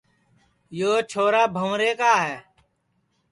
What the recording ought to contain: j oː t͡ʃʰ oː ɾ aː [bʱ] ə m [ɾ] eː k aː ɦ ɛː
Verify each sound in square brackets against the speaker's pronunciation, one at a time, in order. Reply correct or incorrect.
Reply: correct, correct

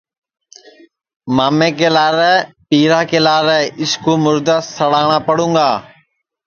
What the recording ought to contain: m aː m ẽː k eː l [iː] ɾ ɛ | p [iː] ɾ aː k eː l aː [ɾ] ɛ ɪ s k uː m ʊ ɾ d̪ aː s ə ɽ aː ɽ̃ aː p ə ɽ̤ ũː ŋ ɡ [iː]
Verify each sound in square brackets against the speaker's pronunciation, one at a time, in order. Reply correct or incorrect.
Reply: incorrect, correct, correct, incorrect

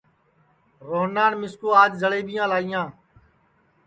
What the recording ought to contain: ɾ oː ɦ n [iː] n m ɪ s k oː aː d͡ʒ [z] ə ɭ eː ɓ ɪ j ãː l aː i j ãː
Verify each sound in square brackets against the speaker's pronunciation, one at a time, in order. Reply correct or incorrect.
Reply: incorrect, correct

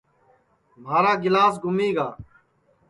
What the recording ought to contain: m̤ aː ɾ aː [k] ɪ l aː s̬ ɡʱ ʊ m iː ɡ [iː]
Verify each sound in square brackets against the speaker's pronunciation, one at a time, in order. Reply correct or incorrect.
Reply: incorrect, incorrect

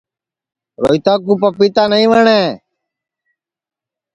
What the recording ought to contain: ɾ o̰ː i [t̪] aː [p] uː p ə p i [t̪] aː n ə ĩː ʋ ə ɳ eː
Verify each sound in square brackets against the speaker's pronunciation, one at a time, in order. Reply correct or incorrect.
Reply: correct, incorrect, correct

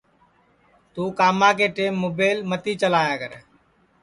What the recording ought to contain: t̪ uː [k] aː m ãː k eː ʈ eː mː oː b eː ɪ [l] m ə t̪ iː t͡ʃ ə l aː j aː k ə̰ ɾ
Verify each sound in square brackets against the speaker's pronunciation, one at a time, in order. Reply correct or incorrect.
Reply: correct, correct

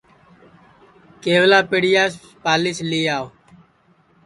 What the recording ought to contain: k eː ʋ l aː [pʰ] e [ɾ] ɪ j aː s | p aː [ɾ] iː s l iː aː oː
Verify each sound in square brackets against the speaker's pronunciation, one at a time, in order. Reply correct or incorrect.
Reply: incorrect, incorrect, incorrect

